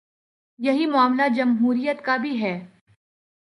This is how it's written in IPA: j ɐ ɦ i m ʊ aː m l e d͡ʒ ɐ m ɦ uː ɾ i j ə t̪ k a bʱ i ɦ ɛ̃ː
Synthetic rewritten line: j ɐ ɦ i m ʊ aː m l a d͡ʒ ɐ m ɦ uː ɾ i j ə t̪ k a bʱ i ɦ ɛː

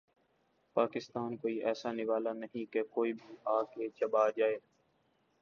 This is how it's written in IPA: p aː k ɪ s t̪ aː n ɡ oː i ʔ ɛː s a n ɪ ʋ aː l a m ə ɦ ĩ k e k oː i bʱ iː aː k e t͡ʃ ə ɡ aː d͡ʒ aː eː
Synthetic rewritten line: p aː k ɪ s t̪ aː n k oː i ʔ ɛː s a n ɪ ʋ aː l a n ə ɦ ĩ k e k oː i bʱ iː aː k e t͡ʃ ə b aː d͡ʒ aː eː

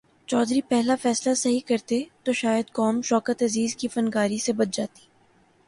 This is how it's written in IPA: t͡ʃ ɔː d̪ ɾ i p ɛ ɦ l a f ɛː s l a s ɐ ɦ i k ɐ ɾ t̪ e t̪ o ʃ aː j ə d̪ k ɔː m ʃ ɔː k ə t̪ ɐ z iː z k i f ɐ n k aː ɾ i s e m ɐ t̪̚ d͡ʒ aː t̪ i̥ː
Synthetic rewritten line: t͡ʃ ɔː d̪ ɾ i p ɛ ɦ l a f ɛː s l a s ɐ ɦ i k ɐ ɾ t̪ e t̪ o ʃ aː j ə d̪ k ɔː m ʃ ɔː k ə t̪ ɐ z iː z k i f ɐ n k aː ɾ i s e b ɐ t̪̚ d͡ʒ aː t̪ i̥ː

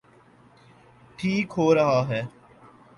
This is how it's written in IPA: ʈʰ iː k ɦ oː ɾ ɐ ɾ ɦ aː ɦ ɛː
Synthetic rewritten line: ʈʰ iː k ɦ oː ɾ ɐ ɦ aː ɦ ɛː

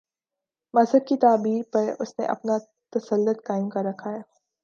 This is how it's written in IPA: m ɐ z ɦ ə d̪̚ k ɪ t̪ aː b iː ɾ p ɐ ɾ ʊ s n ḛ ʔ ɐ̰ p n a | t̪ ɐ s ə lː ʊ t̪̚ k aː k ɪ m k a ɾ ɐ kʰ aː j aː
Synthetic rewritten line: m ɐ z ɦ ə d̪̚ k i t̪ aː b iː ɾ p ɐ ɾ ʊ s n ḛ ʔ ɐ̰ p n a | t̪ ɐ s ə lː ʊ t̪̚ k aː ɪ m k a ɾ ɐ kʰ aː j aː

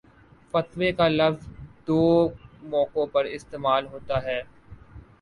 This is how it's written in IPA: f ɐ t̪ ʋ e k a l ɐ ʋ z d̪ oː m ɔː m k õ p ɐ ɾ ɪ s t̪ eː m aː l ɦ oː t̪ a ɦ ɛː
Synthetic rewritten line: f ɐ t̪ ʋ e k a l ɐ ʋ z d̪ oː m ɔː k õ p ɐ ɾ ɪ s t̪ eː m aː l ɦ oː t̪ a ɦ ɛː

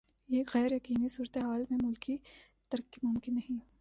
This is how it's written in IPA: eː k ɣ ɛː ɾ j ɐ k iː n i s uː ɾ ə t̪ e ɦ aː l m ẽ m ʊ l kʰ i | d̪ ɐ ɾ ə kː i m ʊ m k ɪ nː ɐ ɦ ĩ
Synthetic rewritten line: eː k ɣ ɛː ɾ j ɐ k iː n i s uː ɾ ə t̪ e ɦ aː l m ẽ m ʊ l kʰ i | t̪ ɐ ɾ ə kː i m ʊ m k ɪ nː ɐ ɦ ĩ

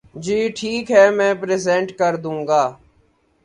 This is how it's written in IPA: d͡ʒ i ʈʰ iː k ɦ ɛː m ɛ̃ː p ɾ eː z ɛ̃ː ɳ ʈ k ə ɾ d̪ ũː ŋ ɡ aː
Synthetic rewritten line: d͡ʒ iː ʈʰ iː k ɦ ɛː m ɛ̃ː p ɾ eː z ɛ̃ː ɳ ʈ k ə ɾ d̪ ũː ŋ ɡ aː

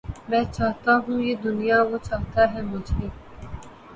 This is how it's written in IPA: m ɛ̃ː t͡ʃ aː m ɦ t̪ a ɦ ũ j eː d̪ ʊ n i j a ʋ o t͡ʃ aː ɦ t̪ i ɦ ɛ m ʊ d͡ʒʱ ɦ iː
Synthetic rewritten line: m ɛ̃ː t͡ʃ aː ɦ t̪ a ɦ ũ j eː d̪ ʊ n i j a ʋ o t͡ʃ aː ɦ t̪ a ɦ ɛ m ʊ d͡ʒʱ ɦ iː

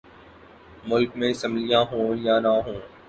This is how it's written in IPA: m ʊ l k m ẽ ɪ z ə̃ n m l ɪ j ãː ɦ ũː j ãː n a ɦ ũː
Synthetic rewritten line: m ʊ l k m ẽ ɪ s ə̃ m l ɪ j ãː ɦ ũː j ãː n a ɦ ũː

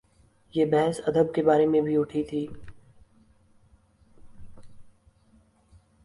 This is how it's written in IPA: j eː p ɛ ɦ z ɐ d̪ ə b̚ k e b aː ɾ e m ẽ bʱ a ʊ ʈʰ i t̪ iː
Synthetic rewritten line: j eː b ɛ ɦ s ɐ d̪ ə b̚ k e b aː ɾ e m ẽ bʱ i ʊ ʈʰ i t̪ʰ iː

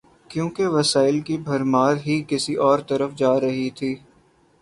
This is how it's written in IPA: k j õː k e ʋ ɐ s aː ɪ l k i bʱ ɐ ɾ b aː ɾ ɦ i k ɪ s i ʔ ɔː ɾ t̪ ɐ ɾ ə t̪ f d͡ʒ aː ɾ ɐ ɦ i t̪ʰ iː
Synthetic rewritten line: k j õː k e ʋ ɐ s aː ɪ l k i bʱ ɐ ɾ m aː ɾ ɦ i k ɪ s i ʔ ɔː ɾ t̪ ɐ ɾ ə f d͡ʒ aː ɾ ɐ ɦ i t̪ʰ iː

